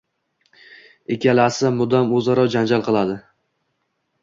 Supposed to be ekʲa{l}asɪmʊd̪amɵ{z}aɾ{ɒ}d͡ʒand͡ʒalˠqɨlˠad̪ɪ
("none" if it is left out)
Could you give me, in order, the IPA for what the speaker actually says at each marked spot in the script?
l, z, ɒ

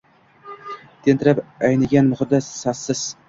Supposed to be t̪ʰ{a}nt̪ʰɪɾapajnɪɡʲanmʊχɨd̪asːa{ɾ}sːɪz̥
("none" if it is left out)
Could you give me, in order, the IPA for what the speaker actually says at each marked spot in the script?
e, none

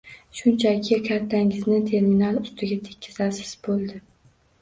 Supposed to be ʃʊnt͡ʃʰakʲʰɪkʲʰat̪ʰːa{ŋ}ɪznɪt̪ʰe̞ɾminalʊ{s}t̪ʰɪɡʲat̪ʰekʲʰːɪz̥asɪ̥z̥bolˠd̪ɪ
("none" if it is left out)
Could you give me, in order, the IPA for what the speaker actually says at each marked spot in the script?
ŋ, s

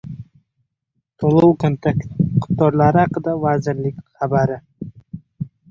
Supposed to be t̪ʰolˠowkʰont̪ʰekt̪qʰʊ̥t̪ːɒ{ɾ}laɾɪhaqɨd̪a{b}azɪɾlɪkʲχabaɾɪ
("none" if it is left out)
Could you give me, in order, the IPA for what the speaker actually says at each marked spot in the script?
ɾ, v

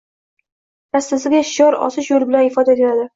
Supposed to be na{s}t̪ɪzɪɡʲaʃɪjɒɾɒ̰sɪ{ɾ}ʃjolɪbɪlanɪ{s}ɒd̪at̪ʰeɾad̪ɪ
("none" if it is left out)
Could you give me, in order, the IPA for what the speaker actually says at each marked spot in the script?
s, none, f

